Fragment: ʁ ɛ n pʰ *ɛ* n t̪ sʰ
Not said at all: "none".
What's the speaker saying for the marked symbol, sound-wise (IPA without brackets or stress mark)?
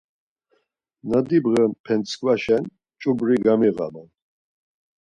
ɛ